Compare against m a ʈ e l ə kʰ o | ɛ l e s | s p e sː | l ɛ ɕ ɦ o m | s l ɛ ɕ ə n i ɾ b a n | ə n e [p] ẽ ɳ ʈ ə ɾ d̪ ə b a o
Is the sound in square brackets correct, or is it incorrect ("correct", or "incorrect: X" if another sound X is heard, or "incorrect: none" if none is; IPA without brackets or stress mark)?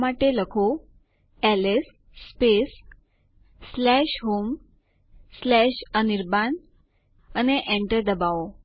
incorrect: ʔ